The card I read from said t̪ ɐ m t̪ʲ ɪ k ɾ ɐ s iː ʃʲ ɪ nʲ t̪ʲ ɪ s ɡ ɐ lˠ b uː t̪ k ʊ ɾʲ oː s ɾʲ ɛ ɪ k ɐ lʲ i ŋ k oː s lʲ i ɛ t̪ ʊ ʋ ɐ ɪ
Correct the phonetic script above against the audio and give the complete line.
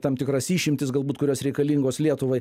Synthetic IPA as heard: t̪ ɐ m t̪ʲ ɪ k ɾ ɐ s iː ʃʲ ɪ mʲ t̪ʲ ɪ s ɡ ɐ lˠ b uː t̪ k ʊ ɾʲ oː s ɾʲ ɛ ɪ k ɐ lʲ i ŋ ɡ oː s lʲ i ɛ t̪ ʊ ʋ ɐ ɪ

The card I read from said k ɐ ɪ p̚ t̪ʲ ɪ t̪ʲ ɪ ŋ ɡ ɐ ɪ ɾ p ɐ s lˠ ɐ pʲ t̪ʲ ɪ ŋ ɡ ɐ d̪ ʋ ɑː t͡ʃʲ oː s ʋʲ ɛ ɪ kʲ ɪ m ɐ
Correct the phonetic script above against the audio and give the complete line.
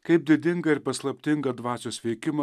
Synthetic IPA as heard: k ɐ ɪ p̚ d̪ʲ ɪ d̪ʲ ɪ ŋ ɡ ɐ ɪ ɾ p ɐ s lˠ ɐ pʲ t̪ʲ ɪ ŋ ɡ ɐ d̪ ʋ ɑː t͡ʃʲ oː s ʋʲ ɛ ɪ kʲ ɪ m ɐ

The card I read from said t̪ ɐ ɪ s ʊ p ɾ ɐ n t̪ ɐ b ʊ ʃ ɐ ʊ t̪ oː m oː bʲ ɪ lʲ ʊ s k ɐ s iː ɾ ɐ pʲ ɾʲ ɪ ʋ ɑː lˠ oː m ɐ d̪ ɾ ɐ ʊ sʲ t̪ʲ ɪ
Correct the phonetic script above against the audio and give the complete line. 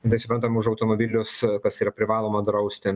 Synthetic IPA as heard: t̪ ɐ ɪ s ʊ p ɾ ɐ n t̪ ɐ m ʊ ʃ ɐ ʊ t̪ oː m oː bʲ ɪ lʲ ʊ s k ɐ s iː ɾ ɐ pʲ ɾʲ ɪ ʋ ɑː lˠ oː m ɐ d̪ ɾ ɐ ʊ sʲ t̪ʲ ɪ

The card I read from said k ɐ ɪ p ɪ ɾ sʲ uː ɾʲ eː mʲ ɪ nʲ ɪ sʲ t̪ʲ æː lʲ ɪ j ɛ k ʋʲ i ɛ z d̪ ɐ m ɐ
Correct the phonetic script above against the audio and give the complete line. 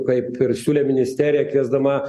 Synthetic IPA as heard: k ɐ ɪ p ɪ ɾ sʲ uː lʲ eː mʲ ɪ nʲ ɪ sʲ t̪ʲ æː ɾʲ ɪ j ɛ k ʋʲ i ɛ z d̪ ɐ m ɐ

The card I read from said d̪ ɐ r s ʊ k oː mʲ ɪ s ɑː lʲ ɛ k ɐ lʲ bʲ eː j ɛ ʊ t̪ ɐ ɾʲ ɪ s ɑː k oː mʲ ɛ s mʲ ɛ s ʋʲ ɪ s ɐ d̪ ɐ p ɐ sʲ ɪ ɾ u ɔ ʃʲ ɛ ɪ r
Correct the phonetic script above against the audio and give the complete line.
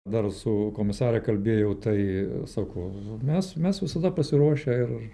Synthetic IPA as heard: d̪ ɐ r s ʊ k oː mʲ ɪ s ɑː ɾʲ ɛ k ɐ lʲ bʲ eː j ɛ ʊ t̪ ɐ ɪ s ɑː k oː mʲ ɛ s mʲ ɛ s ʋʲ ɪ s ɐ d̪ ɐ p ɐ sʲ ɪ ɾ u ɔ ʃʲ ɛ ɪ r

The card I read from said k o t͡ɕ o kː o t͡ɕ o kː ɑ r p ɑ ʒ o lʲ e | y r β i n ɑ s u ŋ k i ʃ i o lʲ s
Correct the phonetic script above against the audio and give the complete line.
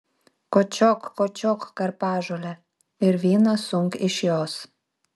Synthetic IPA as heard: k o t͡ɕ o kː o t͡ɕ o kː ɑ r p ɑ ʒ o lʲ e | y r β i n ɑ s u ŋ k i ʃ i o s

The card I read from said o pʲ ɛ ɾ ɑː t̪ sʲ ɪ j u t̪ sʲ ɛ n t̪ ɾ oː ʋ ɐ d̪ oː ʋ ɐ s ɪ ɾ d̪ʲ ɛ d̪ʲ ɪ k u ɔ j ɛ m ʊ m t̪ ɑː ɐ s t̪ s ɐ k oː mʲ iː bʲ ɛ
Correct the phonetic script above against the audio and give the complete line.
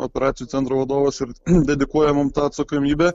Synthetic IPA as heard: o pʲ ɛ ɾ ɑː t̪ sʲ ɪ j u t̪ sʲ ɛ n t̪ ɾ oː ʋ ɐ d̪ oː ʋ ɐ s ɪ ɾ d̪ʲ ɛ d̪ʲ ɪ k u ɔ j ɛ m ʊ m t̪ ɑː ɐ t̪ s ɐ k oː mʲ iː bʲ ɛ

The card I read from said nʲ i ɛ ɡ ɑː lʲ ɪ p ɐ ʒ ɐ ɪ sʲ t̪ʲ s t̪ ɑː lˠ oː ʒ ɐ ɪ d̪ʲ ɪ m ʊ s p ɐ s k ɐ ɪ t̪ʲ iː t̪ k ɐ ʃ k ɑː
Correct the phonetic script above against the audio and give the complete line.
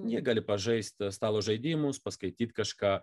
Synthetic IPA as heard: nʲ i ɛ ɡ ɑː lʲ ɪ p ɐ ʒ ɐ ɪ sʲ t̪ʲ s t̪ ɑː lˠ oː ʒ ɐ ɪ d̪ʲ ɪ m ʊ s p ɐ s k ɐ ɪ t̪ʲ iː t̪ k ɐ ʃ k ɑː

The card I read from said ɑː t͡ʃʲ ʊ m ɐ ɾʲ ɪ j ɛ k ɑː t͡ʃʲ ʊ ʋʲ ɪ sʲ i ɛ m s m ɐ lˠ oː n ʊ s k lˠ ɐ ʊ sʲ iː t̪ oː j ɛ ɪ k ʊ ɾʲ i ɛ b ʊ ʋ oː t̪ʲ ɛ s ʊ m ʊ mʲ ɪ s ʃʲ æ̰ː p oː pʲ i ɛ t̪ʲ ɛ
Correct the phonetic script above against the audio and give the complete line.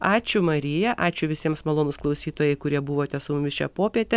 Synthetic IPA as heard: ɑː t͡ʃʲ ʊ m ɐ ɾʲ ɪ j ɛ ʔ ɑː t͡ʃʲ ʊ ʋʲ ɪ sʲ i ɛ m s m ɐ lˠ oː n ʊ s k lˠ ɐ ʊ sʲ iː t̪ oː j ɛ ɪ k ʊ ɾʲ i ɛ b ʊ ʋ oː t̪ʲ ɛ s ʊ m ʊ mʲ ɪ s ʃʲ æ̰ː p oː pʲ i ɛ t̪ʲ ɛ

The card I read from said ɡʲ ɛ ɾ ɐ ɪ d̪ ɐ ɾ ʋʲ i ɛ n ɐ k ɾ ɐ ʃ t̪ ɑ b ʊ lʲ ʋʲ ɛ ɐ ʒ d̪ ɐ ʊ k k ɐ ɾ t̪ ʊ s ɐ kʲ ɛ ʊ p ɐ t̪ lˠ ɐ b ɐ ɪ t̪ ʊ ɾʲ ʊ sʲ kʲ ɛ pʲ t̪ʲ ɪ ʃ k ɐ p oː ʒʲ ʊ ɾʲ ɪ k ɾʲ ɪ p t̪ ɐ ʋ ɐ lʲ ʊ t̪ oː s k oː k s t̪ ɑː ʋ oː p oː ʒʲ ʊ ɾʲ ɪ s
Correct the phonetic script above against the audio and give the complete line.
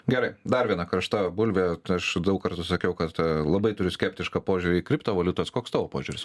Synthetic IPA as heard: ɡʲ ɛ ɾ ɐ ɪ d̪ ɐ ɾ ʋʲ i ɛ n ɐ k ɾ ɐ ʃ t̪ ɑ b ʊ lʲ ʋʲ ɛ ɐ ʃ d̪ ɐ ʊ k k ɐ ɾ t̪ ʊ s ɐ kʲ ɛ ʊ k ɐ t̪ lˠ ɐ b ɐ ɪ t̪ ʊ ɾʲ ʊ sʲ kʲ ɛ pʲ t̪ʲ ɪ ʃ k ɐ p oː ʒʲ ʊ ɾʲ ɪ k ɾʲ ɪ p t̪ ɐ ʋ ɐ lʲ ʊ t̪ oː s k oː k s t̪ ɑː ʋ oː p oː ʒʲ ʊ ɾʲ ɪ s

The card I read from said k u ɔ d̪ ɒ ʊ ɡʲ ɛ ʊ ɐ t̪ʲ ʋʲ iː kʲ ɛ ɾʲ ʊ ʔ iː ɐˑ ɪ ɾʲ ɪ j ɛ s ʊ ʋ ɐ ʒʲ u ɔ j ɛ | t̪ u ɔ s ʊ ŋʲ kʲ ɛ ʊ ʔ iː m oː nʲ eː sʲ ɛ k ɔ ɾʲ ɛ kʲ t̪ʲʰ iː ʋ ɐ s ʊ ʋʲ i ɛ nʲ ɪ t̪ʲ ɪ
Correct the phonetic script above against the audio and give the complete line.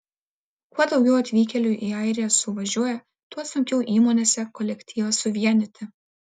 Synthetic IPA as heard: k u ɔ d̪ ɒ ʊ ɡʲ ɛ ʊ ɐ t̪ʲ ʋʲ iː kʲ ɛ lʲ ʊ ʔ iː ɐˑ ɪ ɾʲ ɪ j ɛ s ʊ ʋ ɐ ʒʲ u ɔ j ɛ | t̪ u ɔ s ʊ ŋʲ kʲ ɛ ʊ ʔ iː m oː nʲ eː sʲ ɛ k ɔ lʲ ɛ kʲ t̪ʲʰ iː ʋ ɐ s ʊ ʋʲ i ɛ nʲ ɪ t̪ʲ ɪ

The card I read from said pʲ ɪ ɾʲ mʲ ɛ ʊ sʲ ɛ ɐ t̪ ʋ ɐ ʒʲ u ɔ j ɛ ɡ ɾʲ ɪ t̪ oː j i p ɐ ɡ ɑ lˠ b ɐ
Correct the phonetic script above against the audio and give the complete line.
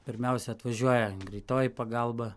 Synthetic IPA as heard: pʲ ɪ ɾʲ mʲ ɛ ʊ sʲ ɛ ɐ t̪ ʋ ɐ ʒʲ u ɔ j ɛ ɡ ɾʲ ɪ t̪ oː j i p ɐ ɡ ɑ lˠ b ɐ

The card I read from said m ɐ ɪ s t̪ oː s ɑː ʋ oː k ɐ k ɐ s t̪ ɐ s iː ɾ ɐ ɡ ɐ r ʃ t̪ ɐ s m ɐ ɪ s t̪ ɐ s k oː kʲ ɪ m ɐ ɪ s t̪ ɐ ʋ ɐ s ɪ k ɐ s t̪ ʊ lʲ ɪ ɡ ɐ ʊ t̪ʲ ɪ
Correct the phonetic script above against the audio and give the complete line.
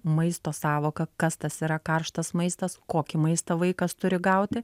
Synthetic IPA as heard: m ɐ ɪ s t̪ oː s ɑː ʋ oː k ɐ k ɐ s t̪ ɐ s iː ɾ ɐ k ɐ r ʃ t̪ ɐ s m ɐ ɪ s t̪ ɐ s k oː kʲ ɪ m ɐ ɪ s t̪ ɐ ʋ ɐ ɪ k ɐ s t̪ ʊ ɾʲ ɪ ɡ ɐ ʊ t̪ʲ ɪ

